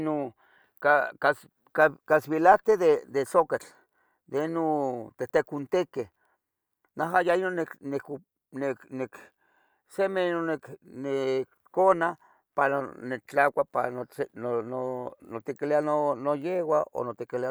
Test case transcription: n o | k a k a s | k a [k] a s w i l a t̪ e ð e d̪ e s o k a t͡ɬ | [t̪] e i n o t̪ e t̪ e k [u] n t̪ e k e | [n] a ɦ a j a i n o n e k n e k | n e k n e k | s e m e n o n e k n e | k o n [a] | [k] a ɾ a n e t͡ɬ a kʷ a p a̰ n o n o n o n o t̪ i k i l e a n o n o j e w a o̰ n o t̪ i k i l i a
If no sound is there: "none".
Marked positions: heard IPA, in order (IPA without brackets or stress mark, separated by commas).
k, d̪, u, n, a, p